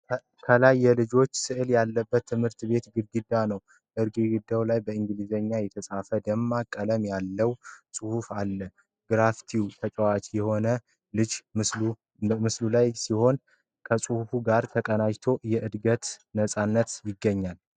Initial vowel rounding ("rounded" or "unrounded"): unrounded